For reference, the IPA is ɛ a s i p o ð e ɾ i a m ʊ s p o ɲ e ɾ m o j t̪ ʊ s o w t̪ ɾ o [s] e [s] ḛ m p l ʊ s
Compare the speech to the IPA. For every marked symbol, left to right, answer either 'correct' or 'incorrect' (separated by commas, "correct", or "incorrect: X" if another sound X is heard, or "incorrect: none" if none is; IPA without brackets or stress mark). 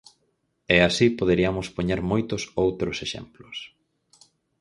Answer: correct, incorrect: ʃ